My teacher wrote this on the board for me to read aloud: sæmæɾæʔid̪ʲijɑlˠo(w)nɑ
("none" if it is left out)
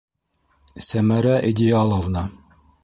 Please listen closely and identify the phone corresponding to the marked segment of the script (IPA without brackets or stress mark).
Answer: v